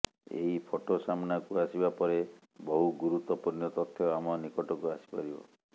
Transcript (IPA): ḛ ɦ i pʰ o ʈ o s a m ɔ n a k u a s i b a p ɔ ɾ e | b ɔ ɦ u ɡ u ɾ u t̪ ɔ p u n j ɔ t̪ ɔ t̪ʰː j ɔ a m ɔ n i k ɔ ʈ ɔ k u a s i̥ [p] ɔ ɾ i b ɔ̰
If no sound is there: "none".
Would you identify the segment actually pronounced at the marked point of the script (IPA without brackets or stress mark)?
p